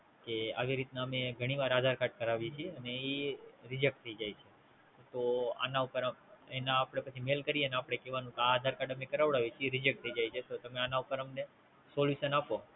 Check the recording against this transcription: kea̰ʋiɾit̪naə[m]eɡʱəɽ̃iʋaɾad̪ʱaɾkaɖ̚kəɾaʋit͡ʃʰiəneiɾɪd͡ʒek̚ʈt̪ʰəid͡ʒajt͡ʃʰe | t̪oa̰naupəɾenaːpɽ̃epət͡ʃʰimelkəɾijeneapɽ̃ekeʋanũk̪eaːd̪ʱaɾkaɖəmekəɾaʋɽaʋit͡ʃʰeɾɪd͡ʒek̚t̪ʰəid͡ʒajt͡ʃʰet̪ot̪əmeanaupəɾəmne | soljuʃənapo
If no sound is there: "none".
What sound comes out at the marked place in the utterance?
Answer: m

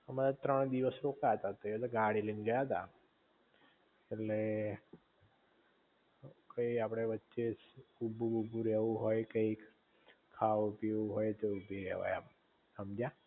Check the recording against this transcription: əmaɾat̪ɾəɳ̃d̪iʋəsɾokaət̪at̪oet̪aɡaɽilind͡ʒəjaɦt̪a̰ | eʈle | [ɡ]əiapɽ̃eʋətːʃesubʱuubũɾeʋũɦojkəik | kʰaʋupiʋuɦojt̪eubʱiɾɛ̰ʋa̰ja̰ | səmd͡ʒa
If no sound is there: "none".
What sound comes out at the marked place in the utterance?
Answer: k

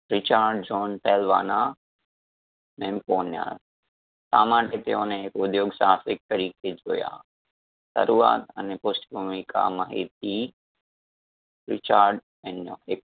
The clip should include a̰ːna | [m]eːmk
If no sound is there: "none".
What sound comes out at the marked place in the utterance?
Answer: m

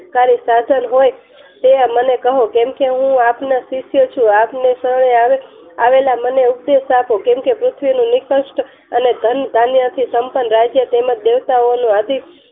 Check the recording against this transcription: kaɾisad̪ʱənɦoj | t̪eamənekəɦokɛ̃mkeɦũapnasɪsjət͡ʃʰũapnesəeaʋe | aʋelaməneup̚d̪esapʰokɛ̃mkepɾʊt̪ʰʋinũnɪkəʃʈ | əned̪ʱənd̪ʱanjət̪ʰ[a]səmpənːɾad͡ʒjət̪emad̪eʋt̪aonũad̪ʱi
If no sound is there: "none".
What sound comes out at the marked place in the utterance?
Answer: i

